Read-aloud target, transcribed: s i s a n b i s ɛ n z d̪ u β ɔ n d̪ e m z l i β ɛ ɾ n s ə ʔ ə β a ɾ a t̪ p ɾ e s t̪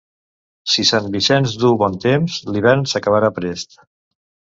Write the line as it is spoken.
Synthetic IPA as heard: s i s a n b i s ɛ n z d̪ u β ɔ n t̪ e m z l i β ɛ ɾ n s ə k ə β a ɾ a p ɾ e s t̪

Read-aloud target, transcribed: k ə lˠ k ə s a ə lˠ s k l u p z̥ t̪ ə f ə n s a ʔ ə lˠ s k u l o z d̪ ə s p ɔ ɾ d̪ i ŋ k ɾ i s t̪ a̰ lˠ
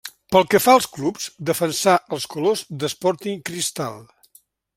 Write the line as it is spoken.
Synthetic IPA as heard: p ə lˠ k ə f a ə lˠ s k l u p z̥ d̪ ə f ə n s a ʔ ə lˠ s k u l o z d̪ ə s p ɔ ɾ t̪ i ŋ k ɾ i s t̪ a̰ lˠ

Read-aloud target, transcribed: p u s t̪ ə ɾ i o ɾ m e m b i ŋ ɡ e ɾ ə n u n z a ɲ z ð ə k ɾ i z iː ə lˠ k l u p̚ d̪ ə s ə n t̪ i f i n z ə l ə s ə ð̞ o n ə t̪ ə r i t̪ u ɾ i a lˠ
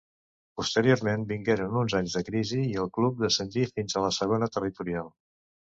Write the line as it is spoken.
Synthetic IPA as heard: p u s t̪ ə ɾ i o ɾ m e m b i ŋ ɡ e ɾ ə n u n z a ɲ z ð ə k ɾ i z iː ə lˠ k l u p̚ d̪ ə s ə n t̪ i f i n z ə l ə s ə ɣ̞ o n ə t̪ ə r i t̪ u ɾ i a lˠ

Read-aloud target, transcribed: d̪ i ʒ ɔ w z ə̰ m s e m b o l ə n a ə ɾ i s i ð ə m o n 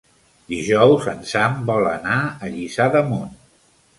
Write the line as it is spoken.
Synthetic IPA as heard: d̪ i ʒ ɔ w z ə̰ n s a m b ɔ l ə n a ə ʎ i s a ð ə m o n

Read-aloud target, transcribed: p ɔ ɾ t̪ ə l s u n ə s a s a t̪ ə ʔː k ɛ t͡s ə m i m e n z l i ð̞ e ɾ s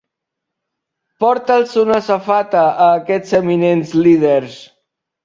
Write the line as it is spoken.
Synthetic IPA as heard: p ɔ ɾ t̪ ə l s u n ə s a f a t̪ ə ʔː k ɛ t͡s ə m i n e n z l i ð̞ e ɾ s

